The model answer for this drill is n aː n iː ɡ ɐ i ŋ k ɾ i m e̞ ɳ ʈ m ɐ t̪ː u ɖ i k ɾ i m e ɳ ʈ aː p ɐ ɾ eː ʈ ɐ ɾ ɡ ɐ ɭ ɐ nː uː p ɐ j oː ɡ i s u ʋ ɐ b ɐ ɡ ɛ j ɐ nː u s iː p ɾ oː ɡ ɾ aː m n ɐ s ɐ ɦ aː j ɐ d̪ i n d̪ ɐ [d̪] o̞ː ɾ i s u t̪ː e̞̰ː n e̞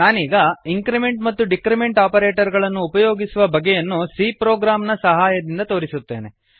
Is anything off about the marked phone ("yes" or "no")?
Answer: yes